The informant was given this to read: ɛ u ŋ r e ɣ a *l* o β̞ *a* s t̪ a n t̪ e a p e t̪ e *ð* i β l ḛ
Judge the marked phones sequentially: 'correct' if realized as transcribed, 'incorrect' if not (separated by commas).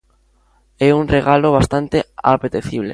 correct, correct, incorrect